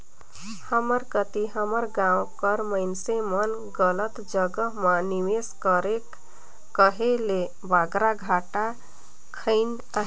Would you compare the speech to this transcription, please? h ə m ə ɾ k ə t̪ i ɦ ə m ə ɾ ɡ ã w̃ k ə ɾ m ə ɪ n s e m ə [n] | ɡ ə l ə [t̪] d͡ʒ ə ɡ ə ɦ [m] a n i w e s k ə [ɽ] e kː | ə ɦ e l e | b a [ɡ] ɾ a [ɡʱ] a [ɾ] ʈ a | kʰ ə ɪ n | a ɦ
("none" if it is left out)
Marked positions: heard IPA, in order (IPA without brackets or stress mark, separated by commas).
n, t̪, m, ɾ, ɡ, ɡʱ, none